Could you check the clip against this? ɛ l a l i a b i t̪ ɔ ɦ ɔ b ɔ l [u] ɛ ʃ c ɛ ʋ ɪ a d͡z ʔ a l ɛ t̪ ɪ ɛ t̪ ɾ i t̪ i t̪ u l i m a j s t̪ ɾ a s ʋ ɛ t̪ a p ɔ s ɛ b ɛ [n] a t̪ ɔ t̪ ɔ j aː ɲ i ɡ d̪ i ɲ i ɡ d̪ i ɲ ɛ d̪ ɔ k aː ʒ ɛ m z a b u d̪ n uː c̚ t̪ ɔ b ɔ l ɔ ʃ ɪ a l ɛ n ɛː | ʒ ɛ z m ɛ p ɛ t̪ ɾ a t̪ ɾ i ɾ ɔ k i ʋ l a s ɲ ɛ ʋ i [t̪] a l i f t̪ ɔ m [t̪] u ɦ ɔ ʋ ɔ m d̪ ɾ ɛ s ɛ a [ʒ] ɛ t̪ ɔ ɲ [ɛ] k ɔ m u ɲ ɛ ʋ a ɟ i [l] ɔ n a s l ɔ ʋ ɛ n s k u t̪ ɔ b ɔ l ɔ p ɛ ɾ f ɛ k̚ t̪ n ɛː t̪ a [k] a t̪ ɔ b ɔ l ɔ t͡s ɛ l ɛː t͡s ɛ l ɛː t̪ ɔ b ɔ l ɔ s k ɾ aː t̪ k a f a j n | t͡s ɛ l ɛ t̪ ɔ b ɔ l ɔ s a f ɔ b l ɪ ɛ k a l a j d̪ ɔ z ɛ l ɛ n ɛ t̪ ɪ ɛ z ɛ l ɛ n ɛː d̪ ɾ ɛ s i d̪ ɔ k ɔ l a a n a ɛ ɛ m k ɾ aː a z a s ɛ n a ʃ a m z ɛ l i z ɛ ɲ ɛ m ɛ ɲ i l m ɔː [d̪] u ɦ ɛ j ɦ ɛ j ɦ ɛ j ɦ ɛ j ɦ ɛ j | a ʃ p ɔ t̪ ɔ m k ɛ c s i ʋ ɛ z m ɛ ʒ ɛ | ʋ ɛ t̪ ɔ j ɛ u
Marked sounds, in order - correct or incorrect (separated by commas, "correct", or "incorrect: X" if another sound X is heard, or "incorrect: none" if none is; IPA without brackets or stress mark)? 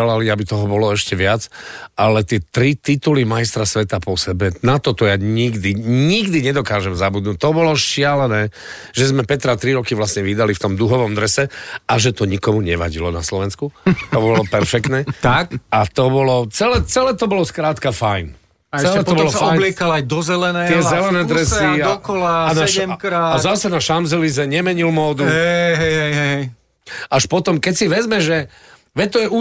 incorrect: ɔ, correct, incorrect: d̪, incorrect: d̪, correct, incorrect: i, correct, correct, correct